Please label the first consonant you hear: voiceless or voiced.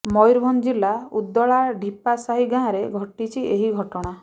voiced